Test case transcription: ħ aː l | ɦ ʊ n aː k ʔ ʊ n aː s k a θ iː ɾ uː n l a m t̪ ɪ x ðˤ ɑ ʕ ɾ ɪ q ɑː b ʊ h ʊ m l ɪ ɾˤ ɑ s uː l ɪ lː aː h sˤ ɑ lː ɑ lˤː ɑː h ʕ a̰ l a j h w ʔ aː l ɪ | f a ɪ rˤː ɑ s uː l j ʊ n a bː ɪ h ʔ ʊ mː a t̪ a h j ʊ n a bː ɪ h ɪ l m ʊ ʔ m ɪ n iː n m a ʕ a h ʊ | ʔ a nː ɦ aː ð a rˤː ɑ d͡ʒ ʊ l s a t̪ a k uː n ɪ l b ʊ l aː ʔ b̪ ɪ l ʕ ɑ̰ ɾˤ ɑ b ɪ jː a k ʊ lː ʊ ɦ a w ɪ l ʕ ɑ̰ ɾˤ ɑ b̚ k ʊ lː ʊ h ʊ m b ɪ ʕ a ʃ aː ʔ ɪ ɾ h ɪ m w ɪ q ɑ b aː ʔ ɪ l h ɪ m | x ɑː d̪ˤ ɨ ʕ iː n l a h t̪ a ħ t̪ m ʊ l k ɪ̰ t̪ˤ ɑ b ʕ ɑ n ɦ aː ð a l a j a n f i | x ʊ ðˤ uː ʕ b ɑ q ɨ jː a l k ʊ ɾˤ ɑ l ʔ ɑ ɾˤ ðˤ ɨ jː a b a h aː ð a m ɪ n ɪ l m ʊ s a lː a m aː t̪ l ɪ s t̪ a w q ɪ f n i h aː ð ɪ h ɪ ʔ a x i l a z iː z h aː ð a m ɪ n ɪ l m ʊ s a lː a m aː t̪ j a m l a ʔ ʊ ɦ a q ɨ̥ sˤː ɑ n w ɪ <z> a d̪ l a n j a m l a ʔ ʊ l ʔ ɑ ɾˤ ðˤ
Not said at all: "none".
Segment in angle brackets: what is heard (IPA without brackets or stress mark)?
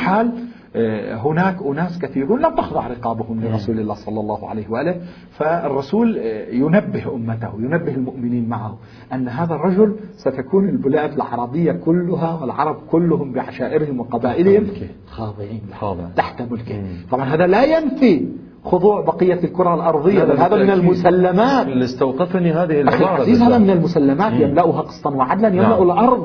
ʕ